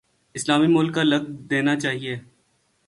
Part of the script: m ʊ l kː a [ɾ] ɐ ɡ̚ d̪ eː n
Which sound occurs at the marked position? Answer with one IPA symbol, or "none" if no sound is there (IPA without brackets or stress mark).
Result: l